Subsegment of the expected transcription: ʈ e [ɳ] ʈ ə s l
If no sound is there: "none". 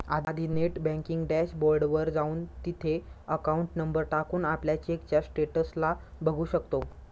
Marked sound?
none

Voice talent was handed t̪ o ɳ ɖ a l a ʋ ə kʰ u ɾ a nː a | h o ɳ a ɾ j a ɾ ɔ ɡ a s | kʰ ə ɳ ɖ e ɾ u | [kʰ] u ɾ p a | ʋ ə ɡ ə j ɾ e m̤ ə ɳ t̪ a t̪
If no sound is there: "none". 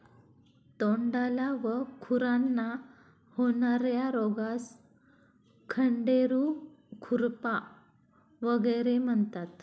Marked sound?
kʰ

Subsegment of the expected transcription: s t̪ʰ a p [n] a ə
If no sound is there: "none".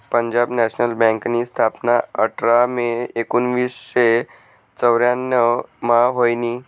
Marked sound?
n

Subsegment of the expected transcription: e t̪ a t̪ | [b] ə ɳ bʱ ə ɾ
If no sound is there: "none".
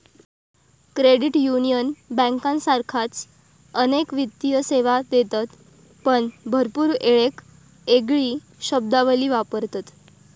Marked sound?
p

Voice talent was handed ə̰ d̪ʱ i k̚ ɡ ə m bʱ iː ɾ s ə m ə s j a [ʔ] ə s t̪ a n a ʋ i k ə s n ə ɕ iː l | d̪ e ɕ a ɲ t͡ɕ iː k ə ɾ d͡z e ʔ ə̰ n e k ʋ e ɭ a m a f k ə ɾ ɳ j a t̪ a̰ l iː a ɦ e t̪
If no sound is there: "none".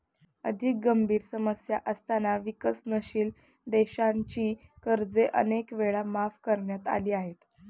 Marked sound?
ʔ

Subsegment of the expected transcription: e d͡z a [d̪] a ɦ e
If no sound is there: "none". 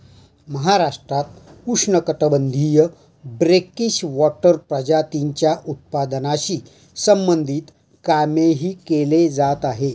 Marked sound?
t̪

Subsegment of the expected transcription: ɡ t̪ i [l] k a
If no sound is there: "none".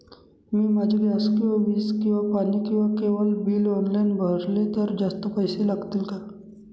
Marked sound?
l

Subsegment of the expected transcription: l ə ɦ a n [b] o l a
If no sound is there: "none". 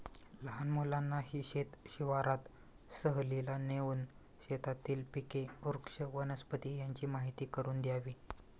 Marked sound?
m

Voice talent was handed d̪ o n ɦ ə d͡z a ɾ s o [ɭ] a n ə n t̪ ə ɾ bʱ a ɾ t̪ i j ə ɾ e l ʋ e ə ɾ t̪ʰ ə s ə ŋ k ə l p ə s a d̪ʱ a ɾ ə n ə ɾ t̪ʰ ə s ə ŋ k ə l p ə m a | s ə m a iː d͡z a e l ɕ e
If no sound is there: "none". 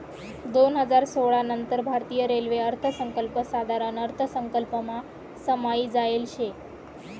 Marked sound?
ɭ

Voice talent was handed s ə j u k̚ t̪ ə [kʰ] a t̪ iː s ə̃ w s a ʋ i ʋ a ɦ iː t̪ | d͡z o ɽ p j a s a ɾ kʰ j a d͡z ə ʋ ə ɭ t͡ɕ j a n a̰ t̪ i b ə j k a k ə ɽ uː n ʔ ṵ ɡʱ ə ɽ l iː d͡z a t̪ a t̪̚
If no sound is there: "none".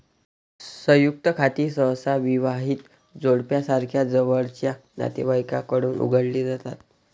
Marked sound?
kʰ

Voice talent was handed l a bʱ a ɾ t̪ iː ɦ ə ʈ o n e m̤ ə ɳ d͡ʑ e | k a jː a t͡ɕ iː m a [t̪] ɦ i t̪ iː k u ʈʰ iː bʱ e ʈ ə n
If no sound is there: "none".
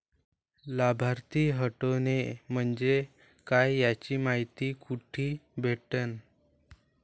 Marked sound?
none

